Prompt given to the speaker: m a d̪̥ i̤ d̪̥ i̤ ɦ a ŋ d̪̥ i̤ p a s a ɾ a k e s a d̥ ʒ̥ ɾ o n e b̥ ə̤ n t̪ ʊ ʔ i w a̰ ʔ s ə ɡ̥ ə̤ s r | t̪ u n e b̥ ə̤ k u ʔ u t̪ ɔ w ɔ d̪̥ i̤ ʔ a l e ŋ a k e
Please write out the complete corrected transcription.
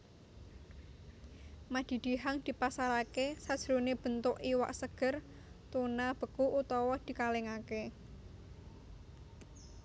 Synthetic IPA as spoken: m a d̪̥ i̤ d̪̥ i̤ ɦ a ŋ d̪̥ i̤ p a s a ɾ a k e s a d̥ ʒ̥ ɾ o n e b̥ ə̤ n t̪ ʊ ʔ i w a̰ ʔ s ə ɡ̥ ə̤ r | t̪ u n a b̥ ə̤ k u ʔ u t̪ ɔ w ɔ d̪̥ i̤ k a l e ŋ a k e